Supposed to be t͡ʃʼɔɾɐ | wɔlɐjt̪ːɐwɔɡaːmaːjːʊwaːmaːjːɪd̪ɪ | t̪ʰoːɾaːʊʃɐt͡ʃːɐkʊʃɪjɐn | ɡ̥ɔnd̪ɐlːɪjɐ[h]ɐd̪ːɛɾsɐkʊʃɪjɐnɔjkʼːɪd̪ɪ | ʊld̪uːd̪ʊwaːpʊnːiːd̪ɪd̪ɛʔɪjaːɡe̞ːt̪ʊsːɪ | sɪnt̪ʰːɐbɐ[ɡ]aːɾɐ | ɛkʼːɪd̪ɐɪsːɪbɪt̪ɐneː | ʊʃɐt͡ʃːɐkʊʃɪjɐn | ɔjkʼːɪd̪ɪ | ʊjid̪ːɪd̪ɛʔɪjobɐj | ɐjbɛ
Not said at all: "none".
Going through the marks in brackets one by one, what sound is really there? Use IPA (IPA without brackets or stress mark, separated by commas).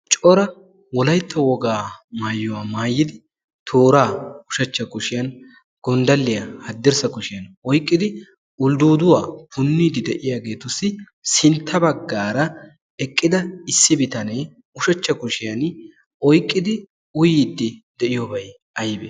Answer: h, ɡː